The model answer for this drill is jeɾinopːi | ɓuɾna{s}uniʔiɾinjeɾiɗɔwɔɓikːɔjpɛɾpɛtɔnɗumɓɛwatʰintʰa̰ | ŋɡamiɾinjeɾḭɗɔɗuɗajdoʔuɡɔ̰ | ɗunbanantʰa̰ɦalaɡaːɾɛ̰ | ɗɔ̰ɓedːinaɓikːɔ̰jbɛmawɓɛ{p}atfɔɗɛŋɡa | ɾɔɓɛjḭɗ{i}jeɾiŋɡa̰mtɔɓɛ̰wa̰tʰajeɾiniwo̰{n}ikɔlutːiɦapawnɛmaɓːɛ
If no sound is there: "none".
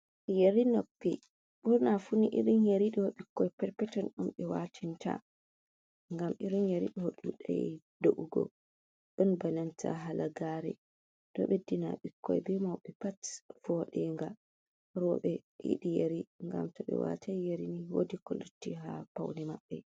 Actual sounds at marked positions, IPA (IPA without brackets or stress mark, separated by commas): f, p, i, d